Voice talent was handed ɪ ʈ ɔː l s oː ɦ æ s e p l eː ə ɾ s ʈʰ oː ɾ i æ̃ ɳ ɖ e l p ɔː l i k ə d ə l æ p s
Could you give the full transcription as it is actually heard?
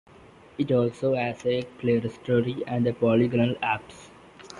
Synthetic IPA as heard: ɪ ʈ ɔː l s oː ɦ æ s e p l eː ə ɾ s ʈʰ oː ɾ i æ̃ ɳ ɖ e p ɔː l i ɡ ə n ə l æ p s